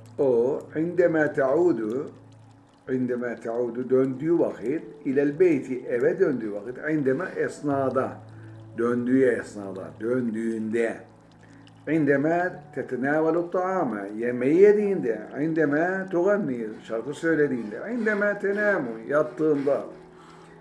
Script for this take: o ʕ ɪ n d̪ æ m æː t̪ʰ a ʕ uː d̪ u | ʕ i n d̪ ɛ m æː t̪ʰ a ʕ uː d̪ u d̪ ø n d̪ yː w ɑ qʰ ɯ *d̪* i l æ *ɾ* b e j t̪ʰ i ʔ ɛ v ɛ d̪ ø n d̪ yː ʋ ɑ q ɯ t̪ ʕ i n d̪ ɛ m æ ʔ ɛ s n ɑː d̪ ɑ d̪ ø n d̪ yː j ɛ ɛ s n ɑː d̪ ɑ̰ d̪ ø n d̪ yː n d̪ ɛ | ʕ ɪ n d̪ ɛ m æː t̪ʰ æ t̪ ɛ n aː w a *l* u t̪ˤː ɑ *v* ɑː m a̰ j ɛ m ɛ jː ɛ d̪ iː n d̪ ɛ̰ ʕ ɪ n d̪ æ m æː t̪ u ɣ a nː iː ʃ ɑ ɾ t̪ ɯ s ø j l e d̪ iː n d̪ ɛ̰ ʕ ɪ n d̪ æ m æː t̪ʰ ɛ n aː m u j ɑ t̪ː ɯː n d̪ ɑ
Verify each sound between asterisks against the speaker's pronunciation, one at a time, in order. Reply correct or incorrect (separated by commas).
incorrect, incorrect, correct, incorrect